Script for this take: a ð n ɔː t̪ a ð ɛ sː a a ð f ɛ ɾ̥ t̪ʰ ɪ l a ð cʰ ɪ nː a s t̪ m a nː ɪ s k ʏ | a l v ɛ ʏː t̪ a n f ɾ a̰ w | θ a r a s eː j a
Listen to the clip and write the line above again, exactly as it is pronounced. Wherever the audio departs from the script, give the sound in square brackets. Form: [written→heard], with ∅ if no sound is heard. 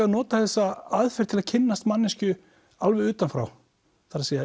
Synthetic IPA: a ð n ɔː t̪ a [ð→θ] ɛ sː a a ð f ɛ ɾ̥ t̪ʰ ɪ l a ð cʰ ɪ nː a s t̪ m a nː ɪ s [k→c] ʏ | a l v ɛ ʏː t̪ a n f ɾ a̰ w | θ a [r→ɾ] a s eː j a